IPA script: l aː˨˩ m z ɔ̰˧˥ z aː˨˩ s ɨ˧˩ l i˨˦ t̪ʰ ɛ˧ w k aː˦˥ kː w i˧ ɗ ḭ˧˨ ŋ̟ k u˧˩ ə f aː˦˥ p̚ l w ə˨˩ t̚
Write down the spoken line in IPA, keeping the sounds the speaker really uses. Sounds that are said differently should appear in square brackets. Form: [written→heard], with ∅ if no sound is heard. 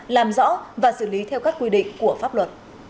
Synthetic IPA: l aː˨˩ m z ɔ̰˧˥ [z→v] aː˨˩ s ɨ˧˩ l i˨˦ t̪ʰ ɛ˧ w k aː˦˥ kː w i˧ ɗ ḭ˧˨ ŋ̟ k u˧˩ ə f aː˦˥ p̚ l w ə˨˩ t̚